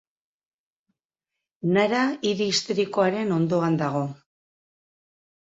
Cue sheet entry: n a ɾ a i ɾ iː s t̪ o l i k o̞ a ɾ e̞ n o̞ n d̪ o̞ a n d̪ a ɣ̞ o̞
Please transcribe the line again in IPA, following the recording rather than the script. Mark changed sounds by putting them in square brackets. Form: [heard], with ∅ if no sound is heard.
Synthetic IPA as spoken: n a ɾ a i ɾ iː s t̪ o [ɾ] i k o̞ a ɾ e̞ n o̞ n d̪ o̞ a n d̪ a ɣ̞ o̞